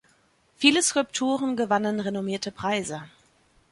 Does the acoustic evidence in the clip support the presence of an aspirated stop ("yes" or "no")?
yes